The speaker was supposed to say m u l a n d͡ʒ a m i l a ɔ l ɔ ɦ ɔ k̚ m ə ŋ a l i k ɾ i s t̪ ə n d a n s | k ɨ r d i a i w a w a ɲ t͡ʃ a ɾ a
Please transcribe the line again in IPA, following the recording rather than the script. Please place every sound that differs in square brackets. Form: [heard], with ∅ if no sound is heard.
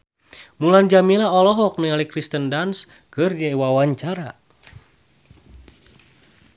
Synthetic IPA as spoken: m u l a n d͡ʒ a m i l a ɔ l ɔ ɦ ɔ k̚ [n] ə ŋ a l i k ɾ i s t̪ ə n d a n s | k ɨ r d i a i w a w a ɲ t͡ʃ a ɾ a

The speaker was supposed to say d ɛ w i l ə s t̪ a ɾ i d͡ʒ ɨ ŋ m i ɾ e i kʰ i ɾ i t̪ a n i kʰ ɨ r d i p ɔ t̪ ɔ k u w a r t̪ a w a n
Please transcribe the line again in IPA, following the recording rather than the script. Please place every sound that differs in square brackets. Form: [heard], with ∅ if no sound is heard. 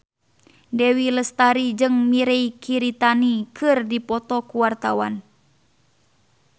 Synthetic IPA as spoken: d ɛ w i l ə s t̪ a ɾ i d͡ʒ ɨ ŋ m i ɾ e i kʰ i ɾ i t̪ a n i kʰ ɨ r d i p ɔ t̪ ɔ k u w a r t̪ a w a n

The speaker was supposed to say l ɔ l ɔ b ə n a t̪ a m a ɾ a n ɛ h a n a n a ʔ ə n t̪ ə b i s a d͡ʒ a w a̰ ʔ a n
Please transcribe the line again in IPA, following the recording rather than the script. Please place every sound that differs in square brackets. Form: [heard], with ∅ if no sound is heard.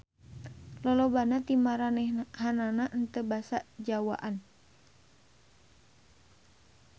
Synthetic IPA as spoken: l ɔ l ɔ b [a] n a t̪ [i] m a ɾ a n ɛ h a n a n a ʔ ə n t̪ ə b [a] s a d͡ʒ a w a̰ ʔ a n

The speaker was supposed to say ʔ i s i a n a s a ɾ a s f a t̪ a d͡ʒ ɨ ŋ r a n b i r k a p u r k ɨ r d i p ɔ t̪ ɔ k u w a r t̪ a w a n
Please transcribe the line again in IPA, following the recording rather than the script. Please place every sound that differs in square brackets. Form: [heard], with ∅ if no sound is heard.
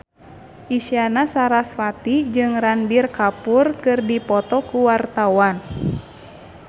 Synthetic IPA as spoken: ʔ i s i a n a s a ɾ a s f a t̪ [i] d͡ʒ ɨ ŋ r a n b i r k a p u r k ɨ r d i p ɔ t̪ ɔ k u w a r t̪ a w a n

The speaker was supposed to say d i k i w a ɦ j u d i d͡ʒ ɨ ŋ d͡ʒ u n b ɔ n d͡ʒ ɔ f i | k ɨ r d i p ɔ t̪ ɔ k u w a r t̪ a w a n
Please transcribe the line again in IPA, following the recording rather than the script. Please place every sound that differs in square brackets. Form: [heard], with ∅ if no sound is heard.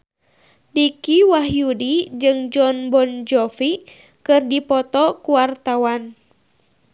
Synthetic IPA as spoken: d i k i w a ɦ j u d i d͡ʒ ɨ ŋ d͡ʒ [ɔ] n b ɔ n d͡ʒ ɔ f i | k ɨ r d i p ɔ t̪ ɔ k u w a r t̪ a w a n

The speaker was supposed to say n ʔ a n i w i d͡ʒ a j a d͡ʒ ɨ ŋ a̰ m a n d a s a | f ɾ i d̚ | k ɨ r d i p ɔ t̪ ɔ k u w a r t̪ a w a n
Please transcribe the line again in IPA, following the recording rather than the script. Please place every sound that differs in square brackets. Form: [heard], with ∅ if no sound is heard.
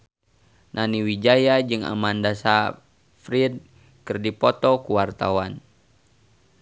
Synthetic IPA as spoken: n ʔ a n i w i d͡ʒ a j a d͡ʒ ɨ ŋ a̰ m a n d a s a | f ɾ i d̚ | k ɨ r d i p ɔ t̪ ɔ k u w a r t̪ a w a n

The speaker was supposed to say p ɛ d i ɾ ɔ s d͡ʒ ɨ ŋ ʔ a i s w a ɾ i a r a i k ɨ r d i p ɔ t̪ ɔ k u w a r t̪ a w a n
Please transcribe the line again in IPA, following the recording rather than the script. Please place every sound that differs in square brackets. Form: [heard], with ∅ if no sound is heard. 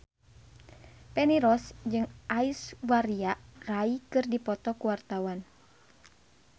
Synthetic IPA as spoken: p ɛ [n] i ɾ ɔ s d͡ʒ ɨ ŋ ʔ a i s w a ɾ i a r a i k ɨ r d i p ɔ t̪ ɔ k u w a r t̪ a w a n

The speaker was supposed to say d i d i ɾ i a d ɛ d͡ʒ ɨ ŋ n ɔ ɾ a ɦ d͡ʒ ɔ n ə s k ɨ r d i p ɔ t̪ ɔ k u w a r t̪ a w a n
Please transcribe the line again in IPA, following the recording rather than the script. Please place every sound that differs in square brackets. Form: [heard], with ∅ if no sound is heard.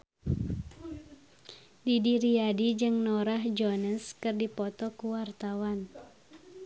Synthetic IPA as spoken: d i d i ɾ i a d [i] d͡ʒ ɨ ŋ n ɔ ɾ a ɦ d͡ʒ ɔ n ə s k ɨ r d i p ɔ t̪ ɔ k u w a r t̪ a w a n

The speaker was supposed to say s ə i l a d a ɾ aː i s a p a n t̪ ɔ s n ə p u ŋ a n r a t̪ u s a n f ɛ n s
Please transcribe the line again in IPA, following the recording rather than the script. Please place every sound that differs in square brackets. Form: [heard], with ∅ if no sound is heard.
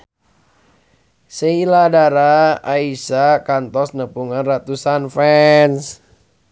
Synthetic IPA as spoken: s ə i l a d a ɾ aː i s a [k] a n t̪ ɔ s n ə p u ŋ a n r a t̪ u s a n f ɛ n s

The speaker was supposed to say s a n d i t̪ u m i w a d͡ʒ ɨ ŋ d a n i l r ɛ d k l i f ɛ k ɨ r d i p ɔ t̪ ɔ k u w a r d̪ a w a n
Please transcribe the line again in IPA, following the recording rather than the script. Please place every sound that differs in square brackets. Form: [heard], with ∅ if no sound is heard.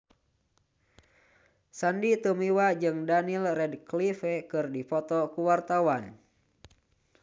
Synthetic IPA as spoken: s a n d i t̪ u m i w a d͡ʒ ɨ ŋ d a n i l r ɛ d k l i f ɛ k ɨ r d i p ɔ t̪ ɔ k u w a r [t̪] a w a n

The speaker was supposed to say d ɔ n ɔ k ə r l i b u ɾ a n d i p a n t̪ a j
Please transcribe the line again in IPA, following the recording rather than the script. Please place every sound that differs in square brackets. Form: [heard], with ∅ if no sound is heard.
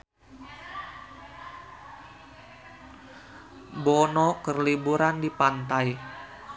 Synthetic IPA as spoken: [b] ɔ n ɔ k ə r l i b u ɾ a n d i p a n t̪ a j

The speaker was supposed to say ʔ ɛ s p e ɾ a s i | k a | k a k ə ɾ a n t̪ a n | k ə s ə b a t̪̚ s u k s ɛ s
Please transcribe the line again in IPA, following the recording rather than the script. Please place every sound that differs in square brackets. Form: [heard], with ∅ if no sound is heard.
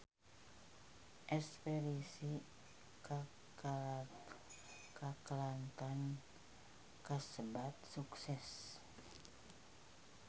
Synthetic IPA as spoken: ʔ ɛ s p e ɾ [i] s i | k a | k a k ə [l] a n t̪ a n | k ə s ə b a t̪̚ s u k s ɛ s

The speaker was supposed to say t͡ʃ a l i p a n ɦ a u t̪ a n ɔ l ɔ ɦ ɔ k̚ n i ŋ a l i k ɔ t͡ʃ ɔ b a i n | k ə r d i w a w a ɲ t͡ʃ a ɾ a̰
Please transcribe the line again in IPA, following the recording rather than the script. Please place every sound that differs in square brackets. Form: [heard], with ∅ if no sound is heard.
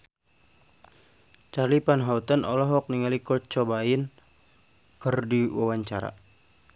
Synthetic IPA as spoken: t͡ʃ a l i p a n ɦ a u t̪ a n ɔ l ɔ ɦ ɔ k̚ n i ŋ a l i k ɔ t͡ʃ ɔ b a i n | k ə r d i w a w a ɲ t͡ʃ a ɾ a̰

